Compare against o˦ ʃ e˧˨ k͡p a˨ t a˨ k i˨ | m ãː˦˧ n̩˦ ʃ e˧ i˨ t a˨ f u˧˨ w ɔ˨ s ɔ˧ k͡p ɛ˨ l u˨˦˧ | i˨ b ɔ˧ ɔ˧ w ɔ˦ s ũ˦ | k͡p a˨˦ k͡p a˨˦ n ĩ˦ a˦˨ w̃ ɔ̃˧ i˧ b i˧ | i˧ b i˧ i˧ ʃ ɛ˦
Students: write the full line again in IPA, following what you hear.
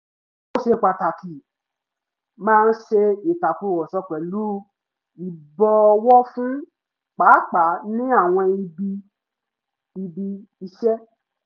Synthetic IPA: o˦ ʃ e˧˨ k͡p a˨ t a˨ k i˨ | m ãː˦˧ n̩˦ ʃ e˧ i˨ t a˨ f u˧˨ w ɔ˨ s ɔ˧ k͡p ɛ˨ l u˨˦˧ | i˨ b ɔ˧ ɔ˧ w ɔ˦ f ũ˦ | k͡p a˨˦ k͡p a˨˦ n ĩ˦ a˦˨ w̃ ɔ̃˧ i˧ b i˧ | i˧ b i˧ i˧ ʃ ɛ˦